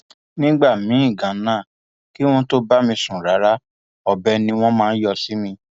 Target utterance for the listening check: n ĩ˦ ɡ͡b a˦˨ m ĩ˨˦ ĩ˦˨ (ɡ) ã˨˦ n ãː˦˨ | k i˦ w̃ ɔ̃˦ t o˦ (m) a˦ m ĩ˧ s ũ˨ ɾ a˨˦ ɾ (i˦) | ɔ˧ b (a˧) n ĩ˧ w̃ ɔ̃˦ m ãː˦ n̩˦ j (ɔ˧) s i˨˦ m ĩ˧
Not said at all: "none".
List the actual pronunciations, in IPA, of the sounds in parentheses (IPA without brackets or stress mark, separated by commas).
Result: ɡ, b, a˦, ɛ˧, ɔ˧